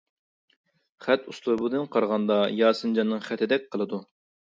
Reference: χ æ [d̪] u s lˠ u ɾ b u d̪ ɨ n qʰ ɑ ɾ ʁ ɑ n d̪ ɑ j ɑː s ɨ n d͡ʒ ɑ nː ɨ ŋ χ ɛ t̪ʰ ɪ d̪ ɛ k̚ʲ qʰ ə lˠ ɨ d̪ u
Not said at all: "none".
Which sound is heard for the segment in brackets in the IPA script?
t̪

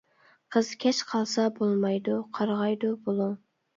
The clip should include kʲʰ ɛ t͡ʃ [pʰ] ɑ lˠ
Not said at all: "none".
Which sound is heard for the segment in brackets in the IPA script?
qʰ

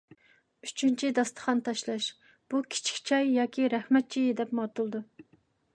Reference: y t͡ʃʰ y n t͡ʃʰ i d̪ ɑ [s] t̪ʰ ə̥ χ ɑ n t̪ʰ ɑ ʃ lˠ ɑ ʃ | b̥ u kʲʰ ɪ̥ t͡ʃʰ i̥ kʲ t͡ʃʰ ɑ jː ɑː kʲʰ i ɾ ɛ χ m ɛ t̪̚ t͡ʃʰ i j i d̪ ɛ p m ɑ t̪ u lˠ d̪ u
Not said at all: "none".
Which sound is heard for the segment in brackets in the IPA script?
s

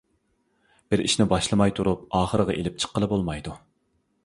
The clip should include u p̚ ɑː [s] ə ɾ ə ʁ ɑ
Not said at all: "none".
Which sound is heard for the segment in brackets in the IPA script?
χ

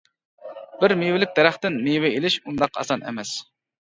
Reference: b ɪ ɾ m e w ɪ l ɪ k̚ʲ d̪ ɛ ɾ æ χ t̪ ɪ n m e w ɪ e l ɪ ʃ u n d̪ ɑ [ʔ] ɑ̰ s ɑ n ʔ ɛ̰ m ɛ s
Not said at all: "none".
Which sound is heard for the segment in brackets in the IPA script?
q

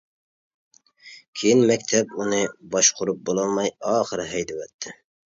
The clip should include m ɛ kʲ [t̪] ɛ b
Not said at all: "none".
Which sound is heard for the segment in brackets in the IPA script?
t̪ʰ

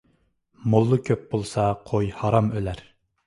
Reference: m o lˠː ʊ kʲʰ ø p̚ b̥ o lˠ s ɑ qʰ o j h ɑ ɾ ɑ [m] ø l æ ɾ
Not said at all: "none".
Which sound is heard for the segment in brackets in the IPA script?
m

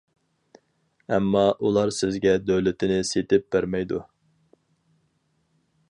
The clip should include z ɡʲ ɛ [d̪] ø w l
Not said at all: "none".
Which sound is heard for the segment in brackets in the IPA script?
d̪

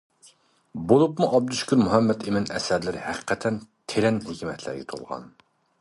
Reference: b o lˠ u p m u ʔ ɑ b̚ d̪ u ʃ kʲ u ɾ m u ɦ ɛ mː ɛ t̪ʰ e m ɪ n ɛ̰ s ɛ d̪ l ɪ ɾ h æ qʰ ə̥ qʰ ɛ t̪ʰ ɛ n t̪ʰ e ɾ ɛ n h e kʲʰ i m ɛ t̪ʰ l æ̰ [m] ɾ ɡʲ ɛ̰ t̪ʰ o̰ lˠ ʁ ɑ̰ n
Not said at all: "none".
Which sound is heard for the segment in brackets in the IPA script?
none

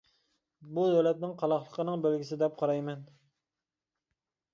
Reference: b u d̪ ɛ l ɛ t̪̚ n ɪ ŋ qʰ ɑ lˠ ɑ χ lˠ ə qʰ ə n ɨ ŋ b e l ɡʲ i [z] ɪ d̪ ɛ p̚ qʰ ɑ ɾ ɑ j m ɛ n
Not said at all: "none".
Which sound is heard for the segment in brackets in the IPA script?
s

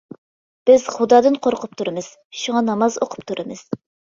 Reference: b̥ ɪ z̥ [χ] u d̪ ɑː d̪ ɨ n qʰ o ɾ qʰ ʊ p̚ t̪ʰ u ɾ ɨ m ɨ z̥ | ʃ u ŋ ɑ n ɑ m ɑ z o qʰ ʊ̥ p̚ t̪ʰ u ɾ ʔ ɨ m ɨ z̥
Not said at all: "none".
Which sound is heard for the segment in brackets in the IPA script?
χ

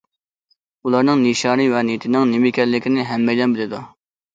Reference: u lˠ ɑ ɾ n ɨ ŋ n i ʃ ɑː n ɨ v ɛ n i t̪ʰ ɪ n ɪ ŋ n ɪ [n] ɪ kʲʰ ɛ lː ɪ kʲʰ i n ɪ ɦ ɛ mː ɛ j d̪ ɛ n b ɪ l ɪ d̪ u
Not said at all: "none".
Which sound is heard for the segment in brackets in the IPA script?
m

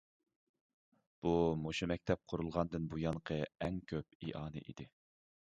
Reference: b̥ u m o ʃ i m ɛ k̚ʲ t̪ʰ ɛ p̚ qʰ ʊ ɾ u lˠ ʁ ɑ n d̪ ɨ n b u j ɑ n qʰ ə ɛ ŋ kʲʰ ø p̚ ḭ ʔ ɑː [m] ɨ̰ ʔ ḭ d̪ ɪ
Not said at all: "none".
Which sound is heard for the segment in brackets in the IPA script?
n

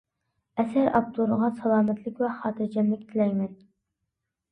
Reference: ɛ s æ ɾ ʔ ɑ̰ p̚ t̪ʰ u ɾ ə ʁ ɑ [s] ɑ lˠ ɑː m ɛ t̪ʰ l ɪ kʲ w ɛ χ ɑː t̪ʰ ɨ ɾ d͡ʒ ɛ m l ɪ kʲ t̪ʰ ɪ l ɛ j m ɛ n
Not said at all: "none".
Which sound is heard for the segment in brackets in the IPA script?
s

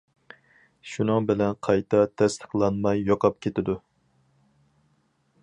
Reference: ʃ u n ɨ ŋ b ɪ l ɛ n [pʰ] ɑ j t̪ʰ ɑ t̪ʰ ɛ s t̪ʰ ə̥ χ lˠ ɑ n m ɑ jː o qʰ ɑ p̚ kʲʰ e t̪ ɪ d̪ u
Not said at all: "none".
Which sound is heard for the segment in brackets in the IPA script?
qʰ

